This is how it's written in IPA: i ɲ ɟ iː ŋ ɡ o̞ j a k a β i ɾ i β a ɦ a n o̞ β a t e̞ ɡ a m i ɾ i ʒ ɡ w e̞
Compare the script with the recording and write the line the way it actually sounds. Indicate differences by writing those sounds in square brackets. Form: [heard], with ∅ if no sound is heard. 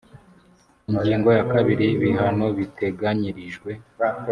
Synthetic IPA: i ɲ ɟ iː ŋ ɡ o̞ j a k a β i ɾ i β [i] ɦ a n o̞ β [i] t e̞ ɡ a [ɲ] i ɾ i ʒ ɡ w e̞